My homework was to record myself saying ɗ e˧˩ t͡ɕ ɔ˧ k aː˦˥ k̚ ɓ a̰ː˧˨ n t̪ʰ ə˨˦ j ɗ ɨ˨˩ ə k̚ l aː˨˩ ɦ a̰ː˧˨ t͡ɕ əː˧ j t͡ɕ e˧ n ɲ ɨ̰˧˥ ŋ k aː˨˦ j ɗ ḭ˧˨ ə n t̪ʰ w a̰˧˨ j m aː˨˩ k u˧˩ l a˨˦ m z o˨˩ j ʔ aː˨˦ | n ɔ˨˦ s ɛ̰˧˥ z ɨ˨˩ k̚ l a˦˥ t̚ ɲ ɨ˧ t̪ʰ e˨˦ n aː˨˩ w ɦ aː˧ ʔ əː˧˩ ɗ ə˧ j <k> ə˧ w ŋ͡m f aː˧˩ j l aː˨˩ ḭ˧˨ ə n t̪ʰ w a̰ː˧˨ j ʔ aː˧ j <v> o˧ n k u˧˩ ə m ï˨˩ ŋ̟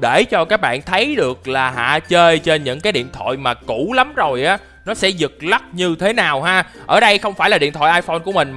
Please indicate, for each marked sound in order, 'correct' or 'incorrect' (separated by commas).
incorrect, incorrect